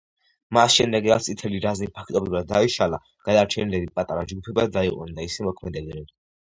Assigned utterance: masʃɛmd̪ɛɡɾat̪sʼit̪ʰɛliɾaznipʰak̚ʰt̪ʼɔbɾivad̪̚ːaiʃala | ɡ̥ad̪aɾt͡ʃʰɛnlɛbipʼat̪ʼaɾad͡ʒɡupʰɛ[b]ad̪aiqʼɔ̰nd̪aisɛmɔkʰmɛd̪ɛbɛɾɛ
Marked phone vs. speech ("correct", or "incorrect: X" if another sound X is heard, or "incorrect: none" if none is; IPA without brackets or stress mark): correct